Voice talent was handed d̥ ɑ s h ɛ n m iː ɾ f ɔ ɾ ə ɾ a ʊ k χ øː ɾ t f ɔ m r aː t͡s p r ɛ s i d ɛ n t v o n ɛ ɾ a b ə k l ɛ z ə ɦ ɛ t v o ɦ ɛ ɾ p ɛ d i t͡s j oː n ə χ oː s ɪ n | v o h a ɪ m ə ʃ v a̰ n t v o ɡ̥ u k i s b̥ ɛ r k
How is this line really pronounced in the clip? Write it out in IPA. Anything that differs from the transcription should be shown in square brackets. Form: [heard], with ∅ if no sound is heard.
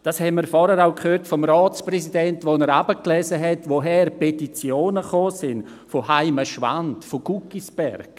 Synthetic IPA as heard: d̥ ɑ s h ɛ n m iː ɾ f ɔ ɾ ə ɾ a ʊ k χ øː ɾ t f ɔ m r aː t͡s p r ɛ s i d ɛ n t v o n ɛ ɾ a b ə k l ɛ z ə ɦ ɛ t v o ɦ ɛ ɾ p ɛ [t] i t͡s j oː n ə χ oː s ɪ n | [f] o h a ɪ m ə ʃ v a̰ n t [f] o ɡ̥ u k i s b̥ ɛ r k

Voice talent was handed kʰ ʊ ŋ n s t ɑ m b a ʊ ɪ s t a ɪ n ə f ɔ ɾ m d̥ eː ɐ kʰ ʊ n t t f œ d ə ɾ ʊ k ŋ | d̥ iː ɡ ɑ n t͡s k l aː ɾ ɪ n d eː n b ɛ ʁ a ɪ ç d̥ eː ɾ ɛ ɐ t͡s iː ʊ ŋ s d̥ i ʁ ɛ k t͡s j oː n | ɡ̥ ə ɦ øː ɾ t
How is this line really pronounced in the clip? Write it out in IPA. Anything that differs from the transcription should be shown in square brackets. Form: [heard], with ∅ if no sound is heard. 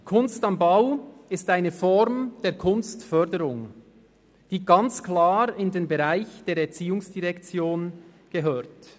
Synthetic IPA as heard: kʰ ʊ [∅] n s t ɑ m b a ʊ ɪ s t a ɪ n ə f ɔ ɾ m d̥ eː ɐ kʰ ʊ n [s] t f œ d ə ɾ ʊ [∅] ŋ | d̥ iː ɡ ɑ n t͡s k l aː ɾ ɪ n d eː n b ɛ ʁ a ɪ ç d̥ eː ɾ ɛ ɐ t͡s iː ʊ ŋ s d̥ i ʁ ɛ k t͡s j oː n | ɡ̥ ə ɦ øː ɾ t

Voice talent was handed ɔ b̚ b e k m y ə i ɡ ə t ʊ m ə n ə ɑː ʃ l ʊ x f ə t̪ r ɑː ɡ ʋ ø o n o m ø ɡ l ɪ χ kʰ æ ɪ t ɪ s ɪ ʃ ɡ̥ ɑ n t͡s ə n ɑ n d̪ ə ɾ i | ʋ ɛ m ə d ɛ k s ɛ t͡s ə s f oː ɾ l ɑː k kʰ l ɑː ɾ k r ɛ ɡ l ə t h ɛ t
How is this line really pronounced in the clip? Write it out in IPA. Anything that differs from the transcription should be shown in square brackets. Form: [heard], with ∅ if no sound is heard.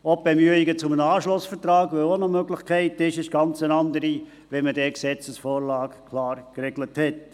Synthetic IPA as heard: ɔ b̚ b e [∅] m y ə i ɡ ə [t͡s] ʊ m ə n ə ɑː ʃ l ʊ [s] f ə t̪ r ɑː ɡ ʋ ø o n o m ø ɡ l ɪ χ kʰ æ ɪ t ɪ [ʃ] ɪ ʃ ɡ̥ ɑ n t͡s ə n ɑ n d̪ ə ɾ i | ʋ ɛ m ə d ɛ k s ɛ t͡s ə s f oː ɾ l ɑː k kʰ l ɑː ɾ k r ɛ ɡ l ə t h ɛ t

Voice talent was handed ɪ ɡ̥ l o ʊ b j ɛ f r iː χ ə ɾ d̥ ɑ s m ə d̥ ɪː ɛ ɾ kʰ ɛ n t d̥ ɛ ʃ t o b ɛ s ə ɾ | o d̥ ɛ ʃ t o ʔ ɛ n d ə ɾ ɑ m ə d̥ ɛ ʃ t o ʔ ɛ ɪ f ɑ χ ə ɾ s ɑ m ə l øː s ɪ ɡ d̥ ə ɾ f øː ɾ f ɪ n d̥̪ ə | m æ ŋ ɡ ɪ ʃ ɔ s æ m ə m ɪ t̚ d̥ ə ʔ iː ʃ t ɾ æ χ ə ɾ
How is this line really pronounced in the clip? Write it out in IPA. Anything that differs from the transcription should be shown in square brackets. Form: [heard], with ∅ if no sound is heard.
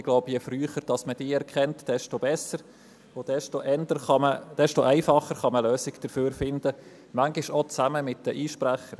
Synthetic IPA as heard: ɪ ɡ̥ l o ʊ b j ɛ f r [yː] χ ə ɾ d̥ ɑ s m ə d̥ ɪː ɛ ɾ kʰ ɛ n t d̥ ɛ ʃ t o b ɛ s ə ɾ | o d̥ ɛ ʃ t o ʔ ɛ n d ə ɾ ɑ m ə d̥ ɛ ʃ t o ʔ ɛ ɪ f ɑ χ ə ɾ [χ] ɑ m ə l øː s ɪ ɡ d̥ ə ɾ f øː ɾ f ɪ n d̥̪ ə | m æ ŋ ɡ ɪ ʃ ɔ [t͡s] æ m ə m ɪ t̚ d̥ ə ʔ iː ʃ [p] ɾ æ χ ə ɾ

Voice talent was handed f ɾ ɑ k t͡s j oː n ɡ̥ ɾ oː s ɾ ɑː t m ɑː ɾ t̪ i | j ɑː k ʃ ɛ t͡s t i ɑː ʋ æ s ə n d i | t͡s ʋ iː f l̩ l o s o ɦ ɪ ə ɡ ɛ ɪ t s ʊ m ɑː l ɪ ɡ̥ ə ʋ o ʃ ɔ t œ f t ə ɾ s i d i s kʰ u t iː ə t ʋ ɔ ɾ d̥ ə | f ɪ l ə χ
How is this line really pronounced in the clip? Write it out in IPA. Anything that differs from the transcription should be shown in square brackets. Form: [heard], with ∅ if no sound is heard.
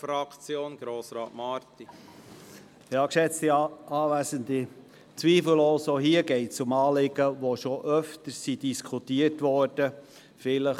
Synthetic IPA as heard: f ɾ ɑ k t͡s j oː n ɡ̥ ɾ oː s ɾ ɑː t m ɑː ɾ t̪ i | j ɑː k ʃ ɛ t͡s t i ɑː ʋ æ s ə n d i | t͡s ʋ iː f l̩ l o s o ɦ [i] ə ɡ ɛ ɪ t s ʊ m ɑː l ɪ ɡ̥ ə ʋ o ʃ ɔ [ʔ] œ f t ə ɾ s i d i s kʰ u t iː ə t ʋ ɔ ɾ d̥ ə | f ɪ l ə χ

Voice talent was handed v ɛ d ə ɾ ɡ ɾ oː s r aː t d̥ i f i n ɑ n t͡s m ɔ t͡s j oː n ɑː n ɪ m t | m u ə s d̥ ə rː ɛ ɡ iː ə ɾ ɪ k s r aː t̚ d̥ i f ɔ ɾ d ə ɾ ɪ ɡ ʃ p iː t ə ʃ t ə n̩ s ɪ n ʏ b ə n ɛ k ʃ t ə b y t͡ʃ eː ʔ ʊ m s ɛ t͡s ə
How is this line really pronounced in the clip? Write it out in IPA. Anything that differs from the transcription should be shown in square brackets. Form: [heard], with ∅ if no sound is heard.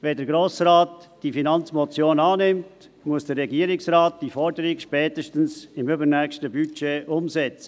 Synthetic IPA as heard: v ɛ d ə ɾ ɡ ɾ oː s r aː t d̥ i f i n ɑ n t͡s m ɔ t͡s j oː n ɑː n ɪ m t | m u ə s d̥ ə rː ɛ ɡ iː ə ɾ ɪ k s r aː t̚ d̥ i f ɔ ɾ d ə ɾ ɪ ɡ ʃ p [ɛː] t ə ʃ t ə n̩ s ɪ [m] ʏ b ə n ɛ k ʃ t ə b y t͡ʃ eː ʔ ʊ m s ɛ t͡s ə

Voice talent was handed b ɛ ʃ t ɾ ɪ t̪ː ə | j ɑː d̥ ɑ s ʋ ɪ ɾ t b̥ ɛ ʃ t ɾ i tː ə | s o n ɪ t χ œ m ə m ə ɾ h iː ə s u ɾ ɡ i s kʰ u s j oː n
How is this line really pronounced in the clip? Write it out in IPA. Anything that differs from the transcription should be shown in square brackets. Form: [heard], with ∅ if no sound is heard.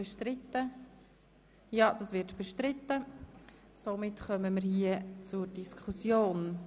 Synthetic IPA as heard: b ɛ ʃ t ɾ ɪ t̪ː ə | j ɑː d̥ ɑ s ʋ ɪ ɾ t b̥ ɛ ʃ t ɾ [ɪ] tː ə | s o [m] ɪ t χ œ m ə m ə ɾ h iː ə [t͡s] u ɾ [d] i s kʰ u s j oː n

